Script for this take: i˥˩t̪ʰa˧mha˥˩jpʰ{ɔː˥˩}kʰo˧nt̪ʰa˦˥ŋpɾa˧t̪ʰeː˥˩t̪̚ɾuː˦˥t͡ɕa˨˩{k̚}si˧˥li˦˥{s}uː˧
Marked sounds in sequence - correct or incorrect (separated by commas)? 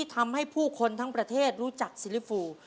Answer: incorrect, correct, incorrect